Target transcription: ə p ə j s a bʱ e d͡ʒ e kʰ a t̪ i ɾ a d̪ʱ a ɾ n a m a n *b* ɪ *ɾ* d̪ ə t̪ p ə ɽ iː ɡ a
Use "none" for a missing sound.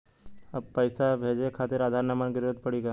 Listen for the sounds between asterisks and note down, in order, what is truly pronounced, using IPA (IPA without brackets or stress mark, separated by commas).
ɡ, ɾ